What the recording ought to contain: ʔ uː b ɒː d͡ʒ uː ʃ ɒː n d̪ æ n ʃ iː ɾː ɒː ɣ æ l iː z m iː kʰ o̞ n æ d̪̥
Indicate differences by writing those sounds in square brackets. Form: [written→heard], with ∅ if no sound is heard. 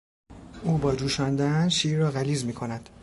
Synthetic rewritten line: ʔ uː b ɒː d͡ʒ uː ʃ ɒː n d̪ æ n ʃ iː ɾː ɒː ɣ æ l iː z m iː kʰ o̞ n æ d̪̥